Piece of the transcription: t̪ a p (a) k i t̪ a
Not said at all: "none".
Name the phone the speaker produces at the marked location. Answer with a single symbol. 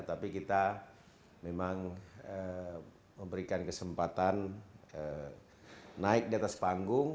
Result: i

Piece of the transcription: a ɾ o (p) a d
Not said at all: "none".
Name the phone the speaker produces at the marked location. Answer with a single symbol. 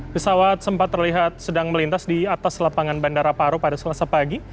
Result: p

